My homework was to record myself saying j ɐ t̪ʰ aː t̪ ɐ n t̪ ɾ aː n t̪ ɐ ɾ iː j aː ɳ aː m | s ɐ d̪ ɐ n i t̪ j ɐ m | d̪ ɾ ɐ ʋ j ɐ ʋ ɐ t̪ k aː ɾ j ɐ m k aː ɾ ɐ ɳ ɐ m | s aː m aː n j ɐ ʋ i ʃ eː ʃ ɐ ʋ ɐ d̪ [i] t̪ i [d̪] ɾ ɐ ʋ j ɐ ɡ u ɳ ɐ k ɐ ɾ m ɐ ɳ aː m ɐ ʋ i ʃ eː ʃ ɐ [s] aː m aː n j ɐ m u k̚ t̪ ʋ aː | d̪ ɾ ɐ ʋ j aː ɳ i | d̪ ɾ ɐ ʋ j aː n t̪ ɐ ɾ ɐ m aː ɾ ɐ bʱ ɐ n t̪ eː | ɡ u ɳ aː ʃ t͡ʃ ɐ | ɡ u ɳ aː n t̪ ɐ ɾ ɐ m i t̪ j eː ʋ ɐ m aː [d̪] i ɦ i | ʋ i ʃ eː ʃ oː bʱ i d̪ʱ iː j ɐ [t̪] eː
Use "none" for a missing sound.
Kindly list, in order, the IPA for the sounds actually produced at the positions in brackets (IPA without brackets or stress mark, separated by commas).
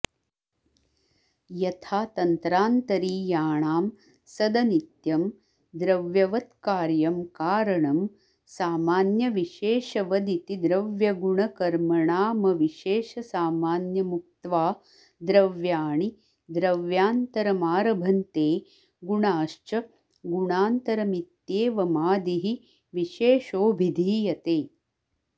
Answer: i, d̪, s, d̪, t̪